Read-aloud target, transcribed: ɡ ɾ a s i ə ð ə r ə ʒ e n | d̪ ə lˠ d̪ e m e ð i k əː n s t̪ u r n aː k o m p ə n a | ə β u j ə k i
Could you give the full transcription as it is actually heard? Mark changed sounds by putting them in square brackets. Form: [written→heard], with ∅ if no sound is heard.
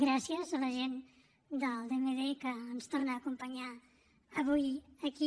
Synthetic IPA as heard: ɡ ɾ a s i ə [ð→z] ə [r→l] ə ʒ e n | d̪ ə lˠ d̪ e m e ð [i→e] k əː n s t̪ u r n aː k [o→u] m p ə [n→ɲ] a | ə β u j ə k i